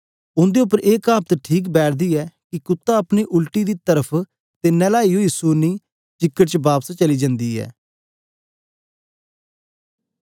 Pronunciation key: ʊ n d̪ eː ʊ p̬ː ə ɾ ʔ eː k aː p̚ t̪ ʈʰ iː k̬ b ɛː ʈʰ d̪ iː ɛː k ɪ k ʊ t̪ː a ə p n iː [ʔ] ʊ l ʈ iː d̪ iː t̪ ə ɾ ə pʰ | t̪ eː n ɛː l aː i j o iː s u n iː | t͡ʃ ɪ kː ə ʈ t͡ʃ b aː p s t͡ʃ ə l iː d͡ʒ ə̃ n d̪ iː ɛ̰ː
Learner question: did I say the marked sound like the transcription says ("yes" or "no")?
yes